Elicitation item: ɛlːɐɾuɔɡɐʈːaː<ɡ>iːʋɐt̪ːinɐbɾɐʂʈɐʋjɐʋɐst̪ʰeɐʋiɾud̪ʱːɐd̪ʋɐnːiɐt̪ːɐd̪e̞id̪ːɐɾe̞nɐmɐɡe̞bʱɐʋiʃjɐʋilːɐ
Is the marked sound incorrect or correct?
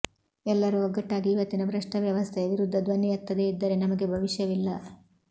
correct